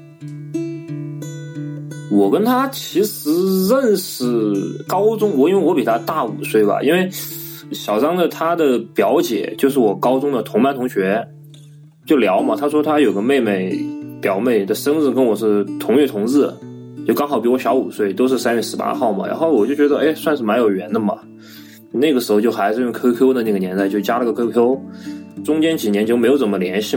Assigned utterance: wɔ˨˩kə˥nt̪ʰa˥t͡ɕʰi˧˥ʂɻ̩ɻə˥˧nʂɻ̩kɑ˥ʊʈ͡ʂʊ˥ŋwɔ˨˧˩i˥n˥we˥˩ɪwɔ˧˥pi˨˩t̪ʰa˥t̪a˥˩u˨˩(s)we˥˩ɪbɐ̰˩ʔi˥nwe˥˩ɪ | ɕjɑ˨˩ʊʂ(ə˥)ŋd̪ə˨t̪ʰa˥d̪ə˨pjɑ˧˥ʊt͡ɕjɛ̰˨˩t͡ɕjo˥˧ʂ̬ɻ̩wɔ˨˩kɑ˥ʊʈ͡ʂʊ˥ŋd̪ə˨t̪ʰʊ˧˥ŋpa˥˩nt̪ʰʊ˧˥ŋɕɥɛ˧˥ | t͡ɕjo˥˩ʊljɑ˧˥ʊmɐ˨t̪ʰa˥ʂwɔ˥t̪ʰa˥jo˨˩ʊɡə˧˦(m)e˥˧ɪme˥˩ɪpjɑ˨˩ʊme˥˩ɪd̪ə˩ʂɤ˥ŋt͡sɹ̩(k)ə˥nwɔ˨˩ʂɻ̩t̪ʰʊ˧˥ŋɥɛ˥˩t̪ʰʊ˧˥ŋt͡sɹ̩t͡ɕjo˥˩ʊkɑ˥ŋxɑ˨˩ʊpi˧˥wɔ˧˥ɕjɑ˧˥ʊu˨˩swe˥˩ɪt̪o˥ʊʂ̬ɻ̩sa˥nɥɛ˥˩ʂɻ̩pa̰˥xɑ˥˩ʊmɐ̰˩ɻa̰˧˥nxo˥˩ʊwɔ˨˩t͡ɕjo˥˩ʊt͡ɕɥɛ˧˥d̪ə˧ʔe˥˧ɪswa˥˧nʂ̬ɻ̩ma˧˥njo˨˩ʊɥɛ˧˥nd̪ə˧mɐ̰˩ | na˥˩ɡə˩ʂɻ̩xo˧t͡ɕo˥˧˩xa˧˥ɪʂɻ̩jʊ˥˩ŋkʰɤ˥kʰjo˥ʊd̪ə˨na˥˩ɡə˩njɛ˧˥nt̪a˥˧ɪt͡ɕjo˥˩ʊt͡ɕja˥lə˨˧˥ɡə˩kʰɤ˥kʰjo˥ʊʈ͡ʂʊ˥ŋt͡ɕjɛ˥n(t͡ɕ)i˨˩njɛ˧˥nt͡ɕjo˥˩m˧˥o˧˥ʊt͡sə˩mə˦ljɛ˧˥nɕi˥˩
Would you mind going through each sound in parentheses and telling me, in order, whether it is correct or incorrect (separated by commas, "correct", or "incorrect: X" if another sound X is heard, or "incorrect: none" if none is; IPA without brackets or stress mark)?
correct, incorrect: ɑ˥, correct, correct, correct